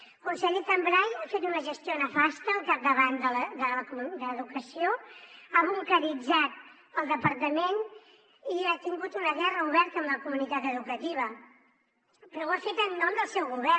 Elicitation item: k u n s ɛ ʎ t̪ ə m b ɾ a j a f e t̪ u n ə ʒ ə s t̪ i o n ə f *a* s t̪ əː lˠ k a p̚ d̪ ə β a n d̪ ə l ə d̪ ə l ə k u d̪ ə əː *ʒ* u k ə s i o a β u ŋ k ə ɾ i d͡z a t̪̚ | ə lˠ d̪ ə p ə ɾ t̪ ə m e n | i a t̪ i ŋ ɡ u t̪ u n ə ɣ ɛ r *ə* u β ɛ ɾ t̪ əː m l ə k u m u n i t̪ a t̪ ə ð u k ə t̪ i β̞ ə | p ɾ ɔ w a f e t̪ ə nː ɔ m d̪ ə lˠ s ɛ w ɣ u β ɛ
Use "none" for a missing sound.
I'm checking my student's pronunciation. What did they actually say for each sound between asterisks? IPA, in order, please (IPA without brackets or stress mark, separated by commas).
a, ð, ə